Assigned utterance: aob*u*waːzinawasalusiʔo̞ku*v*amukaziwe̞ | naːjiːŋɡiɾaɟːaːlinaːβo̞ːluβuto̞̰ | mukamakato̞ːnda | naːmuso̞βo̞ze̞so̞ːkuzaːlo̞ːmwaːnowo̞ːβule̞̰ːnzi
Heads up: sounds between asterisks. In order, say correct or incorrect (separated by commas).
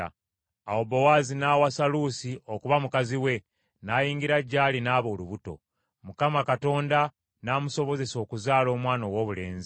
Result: incorrect, incorrect